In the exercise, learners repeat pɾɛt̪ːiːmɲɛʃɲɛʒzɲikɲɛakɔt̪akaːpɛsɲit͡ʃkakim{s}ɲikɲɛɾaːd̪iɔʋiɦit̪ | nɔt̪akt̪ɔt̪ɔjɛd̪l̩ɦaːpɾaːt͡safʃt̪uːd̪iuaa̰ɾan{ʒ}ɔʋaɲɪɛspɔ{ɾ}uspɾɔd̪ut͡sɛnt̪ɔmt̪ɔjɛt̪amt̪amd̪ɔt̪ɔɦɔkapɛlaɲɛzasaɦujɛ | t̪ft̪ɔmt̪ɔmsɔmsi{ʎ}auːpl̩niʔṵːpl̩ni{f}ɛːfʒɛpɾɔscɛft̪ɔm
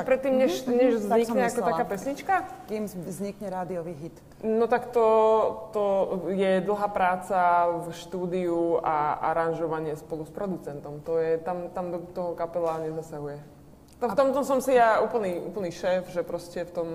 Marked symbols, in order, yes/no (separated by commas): no, yes, no, no, no